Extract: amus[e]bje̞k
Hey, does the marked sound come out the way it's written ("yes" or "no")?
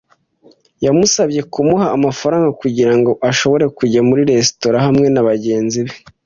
no